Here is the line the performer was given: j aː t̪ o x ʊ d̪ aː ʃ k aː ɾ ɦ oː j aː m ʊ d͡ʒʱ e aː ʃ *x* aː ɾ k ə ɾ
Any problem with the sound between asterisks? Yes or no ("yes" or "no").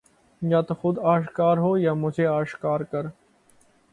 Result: yes